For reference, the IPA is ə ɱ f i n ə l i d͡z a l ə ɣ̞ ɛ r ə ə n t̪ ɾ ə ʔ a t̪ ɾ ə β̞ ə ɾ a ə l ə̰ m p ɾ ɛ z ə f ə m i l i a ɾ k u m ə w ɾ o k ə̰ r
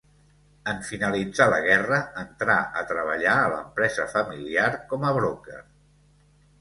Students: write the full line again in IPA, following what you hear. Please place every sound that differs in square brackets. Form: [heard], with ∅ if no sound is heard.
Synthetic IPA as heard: ə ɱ f i n ə l i d͡z a l ə ɣ̞ ɛ r ə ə n t̪ ɾ [a] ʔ [ə] t̪ ɾ ə β̞ ə [ʎ] a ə l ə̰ m p ɾ ɛ z ə f ə m i l i a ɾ k [ɔ] m ə [β] ɾ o k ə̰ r